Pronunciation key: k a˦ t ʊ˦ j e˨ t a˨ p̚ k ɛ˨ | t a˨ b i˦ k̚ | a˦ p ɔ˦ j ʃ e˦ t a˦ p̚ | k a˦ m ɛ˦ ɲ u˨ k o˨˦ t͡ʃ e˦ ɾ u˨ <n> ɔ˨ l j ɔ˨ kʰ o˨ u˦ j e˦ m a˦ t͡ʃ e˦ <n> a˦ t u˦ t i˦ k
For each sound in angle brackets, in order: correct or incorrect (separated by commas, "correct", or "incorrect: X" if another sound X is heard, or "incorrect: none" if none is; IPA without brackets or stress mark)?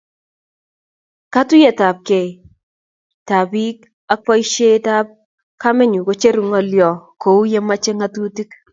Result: incorrect: ŋ, incorrect: ŋ